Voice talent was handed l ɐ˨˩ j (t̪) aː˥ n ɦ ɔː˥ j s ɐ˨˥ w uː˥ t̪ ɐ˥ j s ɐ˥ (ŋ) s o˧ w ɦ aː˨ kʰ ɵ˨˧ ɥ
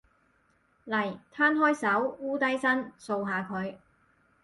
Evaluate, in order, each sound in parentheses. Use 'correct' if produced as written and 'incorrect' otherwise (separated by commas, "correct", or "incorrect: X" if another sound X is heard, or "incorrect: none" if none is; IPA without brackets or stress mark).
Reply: incorrect: t̪ʰ, incorrect: n